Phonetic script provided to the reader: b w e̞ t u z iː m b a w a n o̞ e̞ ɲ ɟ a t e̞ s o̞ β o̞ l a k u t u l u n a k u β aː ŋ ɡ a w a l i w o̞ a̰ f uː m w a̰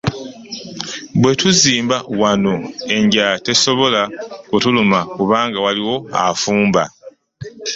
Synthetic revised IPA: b w e̞ t u z iː m b a w a n o̞ e̞ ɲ ɟ a t e̞ s o̞ β o̞ l a k u t u l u m a k u β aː ŋ ɡ a w a l i w o̞ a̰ f uː m b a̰